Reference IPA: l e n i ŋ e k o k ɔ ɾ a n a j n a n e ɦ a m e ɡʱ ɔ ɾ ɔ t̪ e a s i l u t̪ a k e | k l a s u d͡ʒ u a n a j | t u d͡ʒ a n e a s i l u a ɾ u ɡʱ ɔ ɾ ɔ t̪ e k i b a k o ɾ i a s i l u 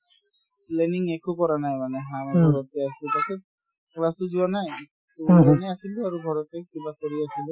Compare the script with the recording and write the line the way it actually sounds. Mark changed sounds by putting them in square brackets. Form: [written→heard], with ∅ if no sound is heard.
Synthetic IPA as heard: l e n i ŋ e k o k ɔ ɾ a n a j [n→m] a n e ɦ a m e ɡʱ ɔ ɾ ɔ t̪ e a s i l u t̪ a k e | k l a s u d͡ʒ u a n a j | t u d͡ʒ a n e a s i l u a ɾ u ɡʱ ɔ ɾ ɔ t̪ e k i b a k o ɾ i a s i l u